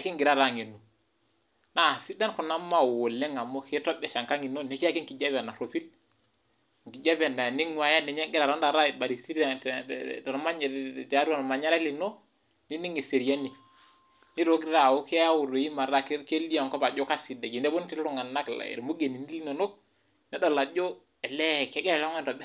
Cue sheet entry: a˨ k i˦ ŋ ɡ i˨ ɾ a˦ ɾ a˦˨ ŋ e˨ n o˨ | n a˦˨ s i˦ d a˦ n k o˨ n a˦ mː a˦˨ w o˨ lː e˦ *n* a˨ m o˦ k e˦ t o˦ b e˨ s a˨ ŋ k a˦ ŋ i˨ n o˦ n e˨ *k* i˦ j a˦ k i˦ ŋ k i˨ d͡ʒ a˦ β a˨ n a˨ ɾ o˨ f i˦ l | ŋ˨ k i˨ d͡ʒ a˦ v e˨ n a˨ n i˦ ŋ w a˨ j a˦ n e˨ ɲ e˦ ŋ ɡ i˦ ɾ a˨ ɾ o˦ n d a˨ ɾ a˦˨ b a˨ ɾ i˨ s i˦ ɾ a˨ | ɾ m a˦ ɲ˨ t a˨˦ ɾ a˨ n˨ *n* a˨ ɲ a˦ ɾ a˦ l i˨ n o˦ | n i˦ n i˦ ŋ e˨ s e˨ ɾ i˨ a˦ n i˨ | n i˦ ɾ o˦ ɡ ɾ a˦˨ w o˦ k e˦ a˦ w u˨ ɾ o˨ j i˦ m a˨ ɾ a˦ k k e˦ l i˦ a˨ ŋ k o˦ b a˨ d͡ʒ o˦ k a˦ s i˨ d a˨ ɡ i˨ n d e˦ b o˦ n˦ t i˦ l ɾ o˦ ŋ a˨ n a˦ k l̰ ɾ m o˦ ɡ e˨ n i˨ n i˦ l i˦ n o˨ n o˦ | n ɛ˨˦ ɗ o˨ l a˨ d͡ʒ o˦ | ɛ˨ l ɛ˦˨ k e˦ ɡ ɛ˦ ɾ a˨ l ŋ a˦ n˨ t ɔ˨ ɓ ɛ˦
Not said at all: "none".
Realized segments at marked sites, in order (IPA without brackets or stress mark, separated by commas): ŋ, k, m